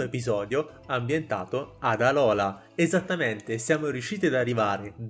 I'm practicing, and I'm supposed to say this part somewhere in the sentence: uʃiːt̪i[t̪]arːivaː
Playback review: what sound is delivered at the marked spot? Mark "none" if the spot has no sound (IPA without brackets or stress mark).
d̪